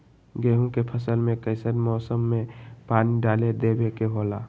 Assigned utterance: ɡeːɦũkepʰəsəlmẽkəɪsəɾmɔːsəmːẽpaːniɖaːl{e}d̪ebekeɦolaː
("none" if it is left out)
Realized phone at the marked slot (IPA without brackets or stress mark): e